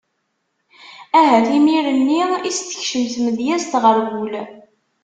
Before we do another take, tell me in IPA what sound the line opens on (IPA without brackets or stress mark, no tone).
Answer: æ